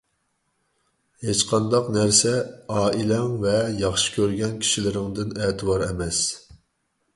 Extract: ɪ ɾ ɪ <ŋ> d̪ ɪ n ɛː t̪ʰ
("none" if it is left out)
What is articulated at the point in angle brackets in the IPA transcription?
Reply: ŋ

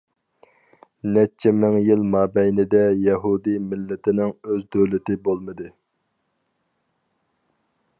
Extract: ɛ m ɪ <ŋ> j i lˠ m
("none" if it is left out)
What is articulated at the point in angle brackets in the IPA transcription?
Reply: ŋ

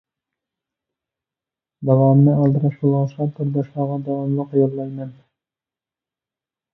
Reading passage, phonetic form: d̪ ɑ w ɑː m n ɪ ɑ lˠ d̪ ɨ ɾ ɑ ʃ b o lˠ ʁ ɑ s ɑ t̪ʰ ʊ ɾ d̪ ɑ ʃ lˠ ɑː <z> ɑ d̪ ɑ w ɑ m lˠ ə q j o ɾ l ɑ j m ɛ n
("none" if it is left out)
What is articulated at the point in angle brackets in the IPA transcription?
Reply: ʁ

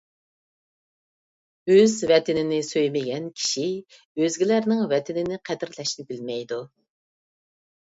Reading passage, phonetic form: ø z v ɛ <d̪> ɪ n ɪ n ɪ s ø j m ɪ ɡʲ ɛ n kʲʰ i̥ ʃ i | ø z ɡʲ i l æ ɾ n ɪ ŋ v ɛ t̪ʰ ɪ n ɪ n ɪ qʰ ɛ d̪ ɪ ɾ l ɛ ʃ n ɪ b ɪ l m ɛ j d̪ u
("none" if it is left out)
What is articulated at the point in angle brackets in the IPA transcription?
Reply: t̪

